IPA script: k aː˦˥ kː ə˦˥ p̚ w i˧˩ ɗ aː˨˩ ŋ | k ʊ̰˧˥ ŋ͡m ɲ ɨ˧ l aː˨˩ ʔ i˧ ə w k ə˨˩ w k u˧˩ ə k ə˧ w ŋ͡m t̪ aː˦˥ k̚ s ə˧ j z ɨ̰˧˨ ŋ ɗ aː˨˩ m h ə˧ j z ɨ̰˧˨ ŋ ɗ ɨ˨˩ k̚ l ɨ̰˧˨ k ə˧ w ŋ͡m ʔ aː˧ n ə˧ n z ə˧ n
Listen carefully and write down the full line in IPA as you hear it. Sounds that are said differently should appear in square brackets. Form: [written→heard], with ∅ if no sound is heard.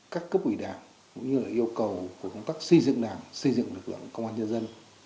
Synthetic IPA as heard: k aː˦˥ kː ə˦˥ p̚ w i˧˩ ɗ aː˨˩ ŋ | k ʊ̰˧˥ ŋ͡m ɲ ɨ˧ l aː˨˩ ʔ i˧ ə w k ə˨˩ w k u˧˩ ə k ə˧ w ŋ͡m t̪ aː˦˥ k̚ s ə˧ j z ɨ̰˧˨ ŋ ɗ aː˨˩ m [h→s] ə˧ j z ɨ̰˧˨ ŋ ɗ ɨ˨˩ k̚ l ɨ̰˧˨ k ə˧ w ŋ͡m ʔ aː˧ [n→ɲ] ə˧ n z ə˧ n